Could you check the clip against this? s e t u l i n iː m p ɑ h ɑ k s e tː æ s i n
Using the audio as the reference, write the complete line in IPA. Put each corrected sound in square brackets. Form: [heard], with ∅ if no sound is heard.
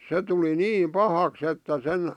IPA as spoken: s e t u l i n iː m p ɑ h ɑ k s e tː æ s [e] n